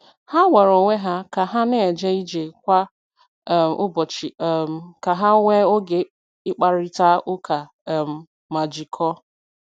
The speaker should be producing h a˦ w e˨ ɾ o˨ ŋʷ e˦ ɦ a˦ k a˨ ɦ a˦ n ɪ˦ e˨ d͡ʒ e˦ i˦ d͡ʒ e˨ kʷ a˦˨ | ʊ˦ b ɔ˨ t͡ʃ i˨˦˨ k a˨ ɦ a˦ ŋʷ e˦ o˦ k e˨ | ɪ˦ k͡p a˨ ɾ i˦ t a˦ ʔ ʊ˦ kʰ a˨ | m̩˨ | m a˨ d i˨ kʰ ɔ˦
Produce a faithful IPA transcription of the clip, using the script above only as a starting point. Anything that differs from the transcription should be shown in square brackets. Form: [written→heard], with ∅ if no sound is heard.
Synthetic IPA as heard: h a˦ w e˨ ɾ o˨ ŋʷ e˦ ɦ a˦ k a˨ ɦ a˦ n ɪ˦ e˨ d͡ʒ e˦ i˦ d͡ʒ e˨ kʷ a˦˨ | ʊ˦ b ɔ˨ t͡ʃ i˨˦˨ k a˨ ɦ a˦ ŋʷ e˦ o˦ [k→ɡ] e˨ | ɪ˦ k͡p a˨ ɾ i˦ t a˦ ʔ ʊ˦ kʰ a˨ | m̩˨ | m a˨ [d→d͡ʒ] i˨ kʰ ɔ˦